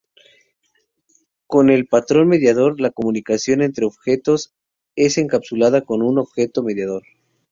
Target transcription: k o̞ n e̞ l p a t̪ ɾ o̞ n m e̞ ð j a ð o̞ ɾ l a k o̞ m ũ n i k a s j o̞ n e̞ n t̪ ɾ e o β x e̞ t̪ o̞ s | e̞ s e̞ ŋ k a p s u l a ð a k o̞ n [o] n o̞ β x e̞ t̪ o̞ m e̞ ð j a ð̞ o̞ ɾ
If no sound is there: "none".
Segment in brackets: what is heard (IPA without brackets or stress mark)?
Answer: u